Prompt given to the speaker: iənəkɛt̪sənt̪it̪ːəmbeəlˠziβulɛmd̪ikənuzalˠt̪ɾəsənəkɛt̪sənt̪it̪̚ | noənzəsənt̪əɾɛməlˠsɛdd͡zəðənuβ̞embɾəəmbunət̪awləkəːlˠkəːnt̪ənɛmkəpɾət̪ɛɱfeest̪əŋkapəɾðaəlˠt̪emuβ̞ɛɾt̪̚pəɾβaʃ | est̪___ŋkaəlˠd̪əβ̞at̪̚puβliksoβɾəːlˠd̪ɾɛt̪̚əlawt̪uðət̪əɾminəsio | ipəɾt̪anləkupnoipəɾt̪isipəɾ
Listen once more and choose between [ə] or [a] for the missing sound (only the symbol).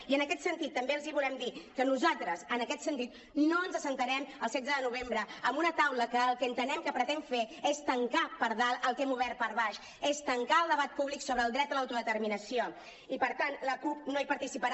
ə